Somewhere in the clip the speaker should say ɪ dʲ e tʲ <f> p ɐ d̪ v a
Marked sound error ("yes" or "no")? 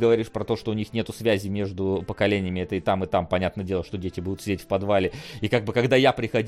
no